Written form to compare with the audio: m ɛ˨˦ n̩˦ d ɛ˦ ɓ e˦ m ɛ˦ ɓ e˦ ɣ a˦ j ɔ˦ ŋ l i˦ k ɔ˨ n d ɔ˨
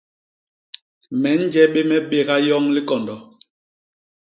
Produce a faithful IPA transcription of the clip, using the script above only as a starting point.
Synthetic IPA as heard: m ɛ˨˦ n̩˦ d͡ʒ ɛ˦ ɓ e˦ m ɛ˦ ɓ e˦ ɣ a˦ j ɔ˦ ŋ l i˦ k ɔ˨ n d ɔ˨